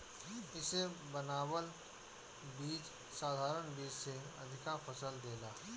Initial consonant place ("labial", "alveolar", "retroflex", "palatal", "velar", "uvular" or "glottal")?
alveolar